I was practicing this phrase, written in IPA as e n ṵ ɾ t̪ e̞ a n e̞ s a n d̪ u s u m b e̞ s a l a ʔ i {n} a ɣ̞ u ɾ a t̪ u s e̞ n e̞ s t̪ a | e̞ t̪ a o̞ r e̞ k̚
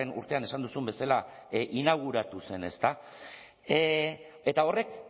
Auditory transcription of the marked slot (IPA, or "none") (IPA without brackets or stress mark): n